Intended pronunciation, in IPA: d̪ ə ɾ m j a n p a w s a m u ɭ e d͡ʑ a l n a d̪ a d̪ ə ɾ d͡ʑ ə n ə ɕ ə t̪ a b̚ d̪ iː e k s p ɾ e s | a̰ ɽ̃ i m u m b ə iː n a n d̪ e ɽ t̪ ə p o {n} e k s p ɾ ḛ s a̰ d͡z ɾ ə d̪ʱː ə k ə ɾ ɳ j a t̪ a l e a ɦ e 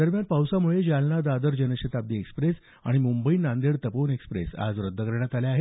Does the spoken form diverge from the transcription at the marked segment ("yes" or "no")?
no